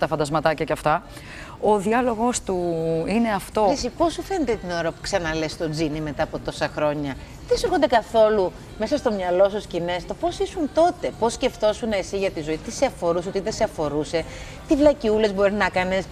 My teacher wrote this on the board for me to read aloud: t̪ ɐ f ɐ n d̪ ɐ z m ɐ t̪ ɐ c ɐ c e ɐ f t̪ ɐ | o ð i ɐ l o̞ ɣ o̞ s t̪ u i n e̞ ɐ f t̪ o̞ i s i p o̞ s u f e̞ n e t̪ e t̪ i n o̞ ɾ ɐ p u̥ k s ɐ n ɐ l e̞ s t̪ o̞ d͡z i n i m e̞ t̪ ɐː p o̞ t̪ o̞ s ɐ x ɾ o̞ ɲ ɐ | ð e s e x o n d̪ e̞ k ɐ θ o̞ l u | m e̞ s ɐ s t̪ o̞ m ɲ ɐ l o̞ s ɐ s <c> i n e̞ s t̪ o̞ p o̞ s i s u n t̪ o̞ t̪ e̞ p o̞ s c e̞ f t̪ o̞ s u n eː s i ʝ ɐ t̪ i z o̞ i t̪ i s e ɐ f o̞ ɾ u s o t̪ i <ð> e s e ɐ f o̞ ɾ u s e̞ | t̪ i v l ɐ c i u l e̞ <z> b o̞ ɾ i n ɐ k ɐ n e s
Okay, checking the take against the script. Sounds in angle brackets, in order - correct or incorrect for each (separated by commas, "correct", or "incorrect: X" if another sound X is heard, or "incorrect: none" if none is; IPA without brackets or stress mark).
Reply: correct, correct, correct